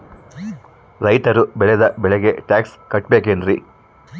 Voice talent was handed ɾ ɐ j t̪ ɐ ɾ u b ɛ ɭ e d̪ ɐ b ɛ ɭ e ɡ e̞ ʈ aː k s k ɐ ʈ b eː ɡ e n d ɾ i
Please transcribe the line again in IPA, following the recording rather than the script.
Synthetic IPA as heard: ɾ ɐ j t̪ ɐ ɾ u b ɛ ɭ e d̪ ɐ b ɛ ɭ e ɡ e̞ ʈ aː k s k ɐ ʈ b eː k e n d ɾ i